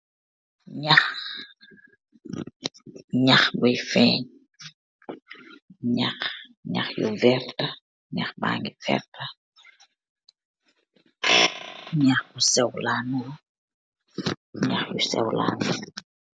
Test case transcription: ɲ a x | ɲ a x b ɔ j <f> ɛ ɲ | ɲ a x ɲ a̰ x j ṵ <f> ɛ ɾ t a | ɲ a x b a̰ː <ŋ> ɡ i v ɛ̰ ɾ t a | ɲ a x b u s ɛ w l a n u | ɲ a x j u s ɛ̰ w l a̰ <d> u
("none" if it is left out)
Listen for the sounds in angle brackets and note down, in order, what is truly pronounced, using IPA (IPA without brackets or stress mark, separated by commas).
f, v, ŋ, n